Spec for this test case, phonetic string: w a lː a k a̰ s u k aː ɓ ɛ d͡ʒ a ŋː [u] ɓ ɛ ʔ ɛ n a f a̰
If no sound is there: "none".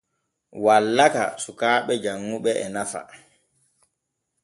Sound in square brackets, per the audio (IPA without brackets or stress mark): u